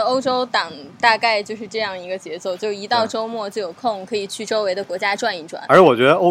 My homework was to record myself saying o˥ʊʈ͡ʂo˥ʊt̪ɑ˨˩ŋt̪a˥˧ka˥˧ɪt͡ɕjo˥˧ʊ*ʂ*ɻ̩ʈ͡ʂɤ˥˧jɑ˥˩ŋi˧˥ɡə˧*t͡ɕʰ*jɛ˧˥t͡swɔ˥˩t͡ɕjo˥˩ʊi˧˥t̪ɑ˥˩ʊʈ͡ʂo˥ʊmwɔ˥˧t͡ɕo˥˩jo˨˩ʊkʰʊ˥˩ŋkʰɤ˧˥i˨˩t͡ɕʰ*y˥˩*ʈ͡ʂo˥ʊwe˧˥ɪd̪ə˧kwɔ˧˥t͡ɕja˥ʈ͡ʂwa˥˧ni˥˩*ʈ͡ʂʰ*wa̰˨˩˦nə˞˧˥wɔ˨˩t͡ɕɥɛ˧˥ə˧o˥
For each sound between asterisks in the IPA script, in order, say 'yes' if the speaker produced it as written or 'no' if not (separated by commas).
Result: yes, no, yes, no